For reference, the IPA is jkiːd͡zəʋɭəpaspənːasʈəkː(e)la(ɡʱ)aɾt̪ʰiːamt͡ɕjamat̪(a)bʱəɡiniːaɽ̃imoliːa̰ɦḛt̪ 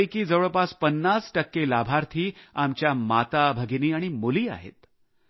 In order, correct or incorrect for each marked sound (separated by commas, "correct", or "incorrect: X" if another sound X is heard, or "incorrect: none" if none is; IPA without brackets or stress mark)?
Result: correct, incorrect: bʱ, correct